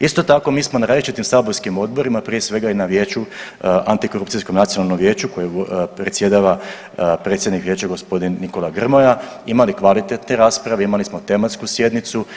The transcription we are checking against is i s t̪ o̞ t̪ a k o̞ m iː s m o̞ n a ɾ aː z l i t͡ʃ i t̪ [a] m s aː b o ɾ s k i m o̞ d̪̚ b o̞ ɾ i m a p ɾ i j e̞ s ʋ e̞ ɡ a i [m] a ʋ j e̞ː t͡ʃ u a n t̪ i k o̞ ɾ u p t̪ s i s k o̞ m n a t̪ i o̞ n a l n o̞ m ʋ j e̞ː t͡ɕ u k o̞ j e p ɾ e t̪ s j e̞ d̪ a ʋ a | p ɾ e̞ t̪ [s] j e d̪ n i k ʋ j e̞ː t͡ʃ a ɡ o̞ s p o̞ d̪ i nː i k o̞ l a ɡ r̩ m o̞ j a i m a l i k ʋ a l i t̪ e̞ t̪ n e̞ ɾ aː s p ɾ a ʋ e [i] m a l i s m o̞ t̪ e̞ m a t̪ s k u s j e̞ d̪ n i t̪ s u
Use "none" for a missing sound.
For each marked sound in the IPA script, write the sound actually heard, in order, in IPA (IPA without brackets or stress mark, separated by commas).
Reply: i, n, s, i